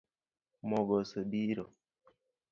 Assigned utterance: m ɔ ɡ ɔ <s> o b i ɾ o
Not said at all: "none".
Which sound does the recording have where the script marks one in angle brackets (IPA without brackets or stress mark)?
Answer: s